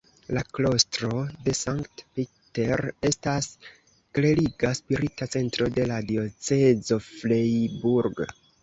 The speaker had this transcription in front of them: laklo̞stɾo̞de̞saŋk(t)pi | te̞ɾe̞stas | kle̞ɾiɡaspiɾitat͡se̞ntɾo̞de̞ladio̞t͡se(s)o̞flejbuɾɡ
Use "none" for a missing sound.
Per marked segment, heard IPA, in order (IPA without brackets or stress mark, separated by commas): t, z